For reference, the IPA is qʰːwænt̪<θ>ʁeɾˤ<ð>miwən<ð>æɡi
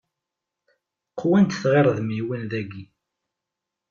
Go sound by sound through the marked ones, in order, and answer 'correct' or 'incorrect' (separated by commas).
correct, correct, correct